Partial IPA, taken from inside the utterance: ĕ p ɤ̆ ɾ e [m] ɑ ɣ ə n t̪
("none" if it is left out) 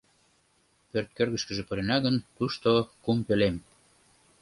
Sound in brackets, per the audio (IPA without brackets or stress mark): n